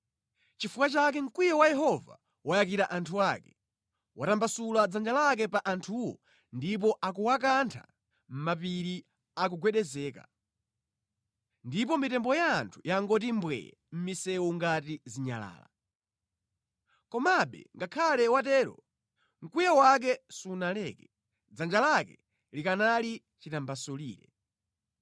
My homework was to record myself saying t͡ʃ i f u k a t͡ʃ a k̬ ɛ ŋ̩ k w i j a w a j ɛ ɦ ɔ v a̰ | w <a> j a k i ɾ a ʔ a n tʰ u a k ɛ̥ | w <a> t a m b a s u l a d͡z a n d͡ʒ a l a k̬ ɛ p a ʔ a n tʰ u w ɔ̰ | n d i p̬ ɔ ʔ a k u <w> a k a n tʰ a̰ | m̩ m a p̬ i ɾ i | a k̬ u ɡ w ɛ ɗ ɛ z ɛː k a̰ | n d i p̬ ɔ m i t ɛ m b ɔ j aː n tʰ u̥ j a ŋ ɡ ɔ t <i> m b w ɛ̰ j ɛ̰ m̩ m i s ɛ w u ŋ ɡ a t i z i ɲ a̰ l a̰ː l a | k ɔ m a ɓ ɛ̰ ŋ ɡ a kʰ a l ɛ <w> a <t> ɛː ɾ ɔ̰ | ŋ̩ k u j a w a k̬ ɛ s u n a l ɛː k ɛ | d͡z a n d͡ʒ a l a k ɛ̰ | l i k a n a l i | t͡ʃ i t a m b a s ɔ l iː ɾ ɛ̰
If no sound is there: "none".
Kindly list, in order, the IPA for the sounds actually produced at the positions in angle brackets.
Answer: a, a, w, i, w, t

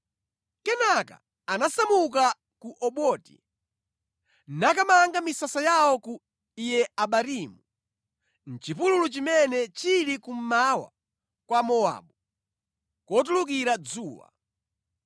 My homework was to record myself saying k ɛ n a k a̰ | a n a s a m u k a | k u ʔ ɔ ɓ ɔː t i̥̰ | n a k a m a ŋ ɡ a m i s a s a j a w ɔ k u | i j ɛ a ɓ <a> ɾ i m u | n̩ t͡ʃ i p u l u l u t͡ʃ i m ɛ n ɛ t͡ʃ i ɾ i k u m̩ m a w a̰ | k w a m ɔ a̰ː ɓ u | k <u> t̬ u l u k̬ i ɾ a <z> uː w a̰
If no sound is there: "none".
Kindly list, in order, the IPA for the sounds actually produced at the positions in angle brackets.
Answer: a, ɔ, d͡z

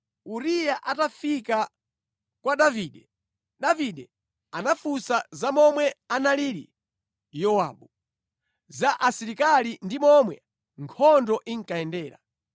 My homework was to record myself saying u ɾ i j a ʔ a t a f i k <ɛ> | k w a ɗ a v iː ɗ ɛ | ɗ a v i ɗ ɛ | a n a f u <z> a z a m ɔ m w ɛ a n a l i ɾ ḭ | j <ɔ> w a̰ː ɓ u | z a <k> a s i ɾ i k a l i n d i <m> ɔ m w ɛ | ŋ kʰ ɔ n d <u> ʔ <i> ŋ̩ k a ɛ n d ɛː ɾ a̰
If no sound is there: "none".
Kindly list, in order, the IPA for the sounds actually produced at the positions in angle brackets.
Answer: a, s, ɔ, ʔ, m, ɔ, i

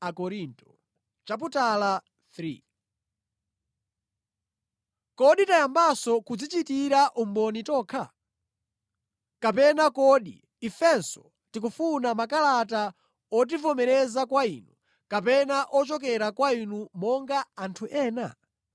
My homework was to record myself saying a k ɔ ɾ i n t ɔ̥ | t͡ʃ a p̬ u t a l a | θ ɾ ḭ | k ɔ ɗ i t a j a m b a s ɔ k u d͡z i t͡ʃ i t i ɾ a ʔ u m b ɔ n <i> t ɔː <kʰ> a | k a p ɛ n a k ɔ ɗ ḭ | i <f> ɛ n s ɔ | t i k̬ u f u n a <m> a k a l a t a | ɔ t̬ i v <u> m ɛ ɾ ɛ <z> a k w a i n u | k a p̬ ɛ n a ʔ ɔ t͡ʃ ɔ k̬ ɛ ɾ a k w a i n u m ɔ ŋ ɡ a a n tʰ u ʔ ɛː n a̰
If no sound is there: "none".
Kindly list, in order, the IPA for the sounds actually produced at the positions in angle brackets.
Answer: i, kʰ, f, m, ɔ, z

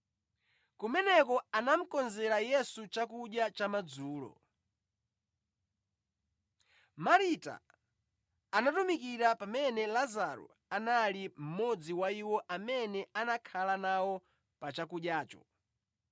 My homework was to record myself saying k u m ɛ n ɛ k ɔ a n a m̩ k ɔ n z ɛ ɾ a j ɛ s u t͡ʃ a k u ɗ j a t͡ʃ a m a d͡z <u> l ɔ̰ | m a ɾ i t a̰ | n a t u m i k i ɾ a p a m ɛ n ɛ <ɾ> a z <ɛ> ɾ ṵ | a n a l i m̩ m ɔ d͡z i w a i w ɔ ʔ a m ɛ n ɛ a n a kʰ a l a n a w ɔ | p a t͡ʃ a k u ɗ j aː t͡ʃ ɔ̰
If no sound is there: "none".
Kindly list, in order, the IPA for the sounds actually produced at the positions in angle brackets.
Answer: uː, l, a

